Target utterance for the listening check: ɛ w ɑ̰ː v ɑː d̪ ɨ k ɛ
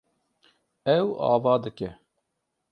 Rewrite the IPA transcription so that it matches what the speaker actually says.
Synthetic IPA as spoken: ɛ w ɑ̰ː v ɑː d̪ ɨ k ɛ